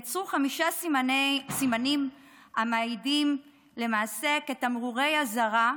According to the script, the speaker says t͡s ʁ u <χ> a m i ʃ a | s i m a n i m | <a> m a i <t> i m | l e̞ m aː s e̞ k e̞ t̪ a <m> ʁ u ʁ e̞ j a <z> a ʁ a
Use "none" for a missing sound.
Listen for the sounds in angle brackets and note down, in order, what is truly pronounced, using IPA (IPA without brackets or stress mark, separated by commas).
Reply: χ, a, d, m, z